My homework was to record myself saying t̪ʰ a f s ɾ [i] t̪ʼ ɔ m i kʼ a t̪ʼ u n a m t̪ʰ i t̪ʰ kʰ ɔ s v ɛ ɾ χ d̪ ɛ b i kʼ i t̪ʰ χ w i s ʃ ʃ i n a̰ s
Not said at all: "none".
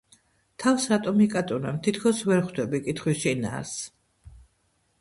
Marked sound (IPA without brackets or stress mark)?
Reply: a